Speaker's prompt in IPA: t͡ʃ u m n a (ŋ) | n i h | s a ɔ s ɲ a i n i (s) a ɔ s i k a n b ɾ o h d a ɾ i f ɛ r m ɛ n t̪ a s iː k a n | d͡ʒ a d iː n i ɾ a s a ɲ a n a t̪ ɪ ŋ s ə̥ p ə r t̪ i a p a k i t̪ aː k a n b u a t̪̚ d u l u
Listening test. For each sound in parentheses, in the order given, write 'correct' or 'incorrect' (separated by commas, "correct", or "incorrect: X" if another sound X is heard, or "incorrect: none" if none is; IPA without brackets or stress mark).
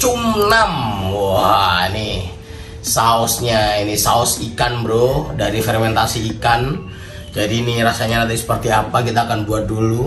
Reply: incorrect: m, correct